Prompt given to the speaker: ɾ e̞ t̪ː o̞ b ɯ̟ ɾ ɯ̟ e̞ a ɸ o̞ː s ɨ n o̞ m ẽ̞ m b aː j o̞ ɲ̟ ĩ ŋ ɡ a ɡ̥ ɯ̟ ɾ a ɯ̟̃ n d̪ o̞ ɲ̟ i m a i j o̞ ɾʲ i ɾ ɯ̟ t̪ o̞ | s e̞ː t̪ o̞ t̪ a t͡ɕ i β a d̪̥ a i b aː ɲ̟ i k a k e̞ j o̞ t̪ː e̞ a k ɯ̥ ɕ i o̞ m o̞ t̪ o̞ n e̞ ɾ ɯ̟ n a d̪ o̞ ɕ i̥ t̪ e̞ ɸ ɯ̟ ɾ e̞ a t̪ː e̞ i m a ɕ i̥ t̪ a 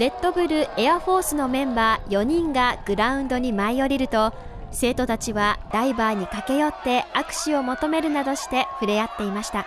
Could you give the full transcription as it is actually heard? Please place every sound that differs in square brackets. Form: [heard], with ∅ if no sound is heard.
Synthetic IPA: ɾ e̞ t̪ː o̞ b ɯ̟ ɾ ɯ̟ e̞ a ɸ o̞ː s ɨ n o̞ m ẽ̞ m b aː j o̞ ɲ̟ ĩ ŋ ɡ a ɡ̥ ɯ̟ ɾ a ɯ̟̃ n d̪ o̞ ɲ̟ i m a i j o̞ ɾʲ i ɾ ɯ̟ t̪ o̞ | s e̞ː t̪ o̞ t̪ a t͡ɕ i β a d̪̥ a i b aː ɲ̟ i k a k e̞ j o̞ t̪ː e̞ a k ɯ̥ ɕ i o̞ m o̞ t̪ o̞ [m] e̞ ɾ ɯ̟ n a d̪ o̞ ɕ i̥ t̪ e̞ ɸ ɯ̟ ɾ e̞ a t̪ː e̞ i m a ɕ i̥ t̪ a